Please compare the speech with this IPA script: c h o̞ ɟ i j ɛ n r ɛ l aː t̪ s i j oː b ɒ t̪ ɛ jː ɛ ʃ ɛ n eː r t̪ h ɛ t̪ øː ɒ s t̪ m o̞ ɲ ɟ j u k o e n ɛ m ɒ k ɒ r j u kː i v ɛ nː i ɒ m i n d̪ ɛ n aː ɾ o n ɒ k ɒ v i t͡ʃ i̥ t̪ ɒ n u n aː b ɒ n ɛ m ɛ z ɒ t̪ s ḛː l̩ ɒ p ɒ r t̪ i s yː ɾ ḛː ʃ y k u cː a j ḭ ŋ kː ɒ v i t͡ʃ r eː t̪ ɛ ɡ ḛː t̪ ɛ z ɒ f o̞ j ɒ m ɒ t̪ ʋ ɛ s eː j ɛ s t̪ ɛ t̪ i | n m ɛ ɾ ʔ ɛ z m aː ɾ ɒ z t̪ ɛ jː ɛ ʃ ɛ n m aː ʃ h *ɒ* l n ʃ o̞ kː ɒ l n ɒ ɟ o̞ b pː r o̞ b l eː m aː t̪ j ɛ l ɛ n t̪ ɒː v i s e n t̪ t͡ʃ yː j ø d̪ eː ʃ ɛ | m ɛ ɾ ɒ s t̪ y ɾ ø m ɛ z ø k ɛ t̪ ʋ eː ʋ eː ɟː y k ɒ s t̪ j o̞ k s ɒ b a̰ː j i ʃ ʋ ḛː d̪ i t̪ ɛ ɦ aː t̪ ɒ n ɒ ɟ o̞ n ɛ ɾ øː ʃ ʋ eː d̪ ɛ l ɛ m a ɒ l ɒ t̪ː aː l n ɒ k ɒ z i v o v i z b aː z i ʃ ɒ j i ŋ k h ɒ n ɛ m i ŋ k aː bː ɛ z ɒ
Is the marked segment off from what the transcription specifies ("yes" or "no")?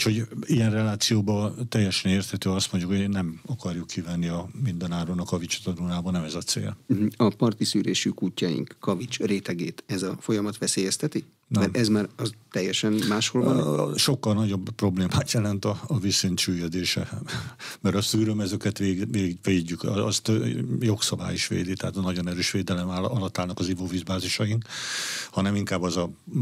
yes